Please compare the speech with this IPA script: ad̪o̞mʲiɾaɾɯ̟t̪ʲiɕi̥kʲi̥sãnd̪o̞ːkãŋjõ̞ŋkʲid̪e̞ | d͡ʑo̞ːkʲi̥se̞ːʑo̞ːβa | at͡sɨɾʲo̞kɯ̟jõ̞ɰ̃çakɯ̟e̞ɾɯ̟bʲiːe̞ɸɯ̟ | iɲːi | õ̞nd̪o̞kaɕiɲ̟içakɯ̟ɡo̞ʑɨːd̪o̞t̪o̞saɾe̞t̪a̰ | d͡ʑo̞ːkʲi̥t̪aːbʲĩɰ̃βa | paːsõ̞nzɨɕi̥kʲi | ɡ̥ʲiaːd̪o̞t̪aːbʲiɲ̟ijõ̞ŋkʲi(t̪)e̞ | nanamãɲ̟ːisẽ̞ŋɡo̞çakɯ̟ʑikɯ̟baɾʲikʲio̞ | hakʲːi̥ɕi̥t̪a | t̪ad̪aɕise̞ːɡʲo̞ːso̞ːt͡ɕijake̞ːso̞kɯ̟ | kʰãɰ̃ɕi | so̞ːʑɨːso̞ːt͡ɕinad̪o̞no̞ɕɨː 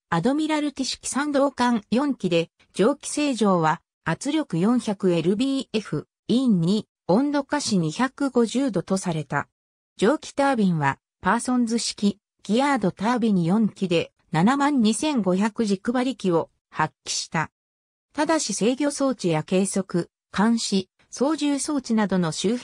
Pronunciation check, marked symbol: incorrect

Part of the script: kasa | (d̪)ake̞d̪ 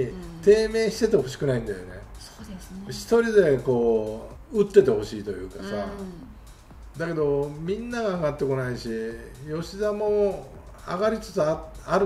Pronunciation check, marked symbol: correct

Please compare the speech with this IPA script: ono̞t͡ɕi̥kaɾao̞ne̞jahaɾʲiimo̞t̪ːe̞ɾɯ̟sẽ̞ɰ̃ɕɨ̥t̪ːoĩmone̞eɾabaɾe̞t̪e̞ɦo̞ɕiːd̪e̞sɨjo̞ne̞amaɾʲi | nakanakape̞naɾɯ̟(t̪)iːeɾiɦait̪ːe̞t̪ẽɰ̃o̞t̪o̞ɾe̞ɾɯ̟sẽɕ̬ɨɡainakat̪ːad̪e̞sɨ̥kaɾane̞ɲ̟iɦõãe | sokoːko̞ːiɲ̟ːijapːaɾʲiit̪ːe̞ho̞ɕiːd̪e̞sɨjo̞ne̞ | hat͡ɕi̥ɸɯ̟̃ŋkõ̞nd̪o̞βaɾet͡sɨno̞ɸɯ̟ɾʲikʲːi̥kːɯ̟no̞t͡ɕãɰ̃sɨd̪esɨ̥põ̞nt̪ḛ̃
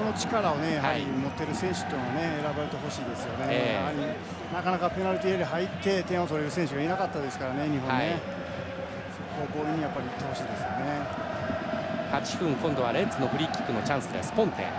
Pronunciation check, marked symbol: correct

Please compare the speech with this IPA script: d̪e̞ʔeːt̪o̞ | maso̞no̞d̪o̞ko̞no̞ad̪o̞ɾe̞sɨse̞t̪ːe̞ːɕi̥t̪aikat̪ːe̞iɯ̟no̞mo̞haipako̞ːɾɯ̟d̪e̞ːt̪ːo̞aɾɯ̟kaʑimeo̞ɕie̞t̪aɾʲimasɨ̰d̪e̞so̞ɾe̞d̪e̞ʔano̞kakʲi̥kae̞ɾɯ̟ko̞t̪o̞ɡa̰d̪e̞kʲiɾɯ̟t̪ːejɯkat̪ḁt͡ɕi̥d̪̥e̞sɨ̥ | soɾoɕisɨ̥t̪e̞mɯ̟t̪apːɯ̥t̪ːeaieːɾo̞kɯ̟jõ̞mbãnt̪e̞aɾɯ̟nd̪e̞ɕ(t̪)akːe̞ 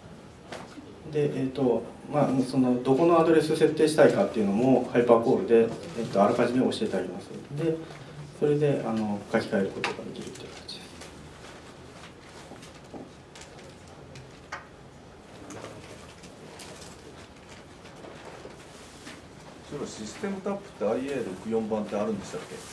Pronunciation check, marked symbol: correct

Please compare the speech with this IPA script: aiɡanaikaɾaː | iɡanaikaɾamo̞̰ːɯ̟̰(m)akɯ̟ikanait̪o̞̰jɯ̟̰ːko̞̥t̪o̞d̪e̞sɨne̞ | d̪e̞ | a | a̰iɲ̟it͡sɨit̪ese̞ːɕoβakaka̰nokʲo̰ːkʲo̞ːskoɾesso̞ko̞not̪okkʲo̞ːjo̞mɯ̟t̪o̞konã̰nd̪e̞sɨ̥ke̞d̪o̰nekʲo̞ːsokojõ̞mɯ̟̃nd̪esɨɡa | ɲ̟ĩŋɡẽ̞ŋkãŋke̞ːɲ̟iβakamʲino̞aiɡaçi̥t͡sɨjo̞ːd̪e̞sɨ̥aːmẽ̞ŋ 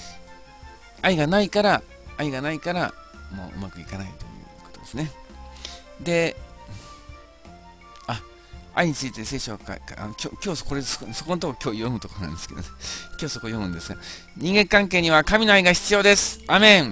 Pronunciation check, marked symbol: correct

